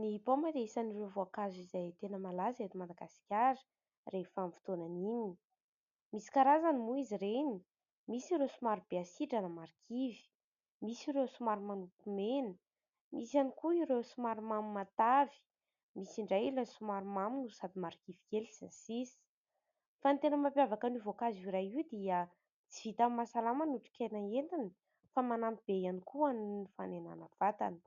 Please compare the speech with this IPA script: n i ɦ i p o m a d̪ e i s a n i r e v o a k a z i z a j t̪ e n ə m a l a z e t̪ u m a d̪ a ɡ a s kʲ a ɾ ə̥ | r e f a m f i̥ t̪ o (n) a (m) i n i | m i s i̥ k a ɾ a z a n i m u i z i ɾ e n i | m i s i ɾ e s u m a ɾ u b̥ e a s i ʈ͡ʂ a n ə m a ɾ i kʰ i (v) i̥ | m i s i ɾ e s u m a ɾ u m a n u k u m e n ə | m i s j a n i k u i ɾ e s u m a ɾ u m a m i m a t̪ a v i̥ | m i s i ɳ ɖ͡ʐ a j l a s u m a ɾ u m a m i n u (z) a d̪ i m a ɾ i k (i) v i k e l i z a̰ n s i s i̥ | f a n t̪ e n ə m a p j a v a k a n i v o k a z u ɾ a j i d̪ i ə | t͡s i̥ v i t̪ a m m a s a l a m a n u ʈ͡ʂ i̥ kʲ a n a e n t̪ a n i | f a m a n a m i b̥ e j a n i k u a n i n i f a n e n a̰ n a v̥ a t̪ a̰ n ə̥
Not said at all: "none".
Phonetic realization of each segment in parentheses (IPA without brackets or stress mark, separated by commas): n, n, v, s, i